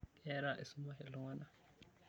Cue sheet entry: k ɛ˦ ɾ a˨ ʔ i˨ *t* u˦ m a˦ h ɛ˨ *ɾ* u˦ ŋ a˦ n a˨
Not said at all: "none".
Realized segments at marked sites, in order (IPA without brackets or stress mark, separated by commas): s, l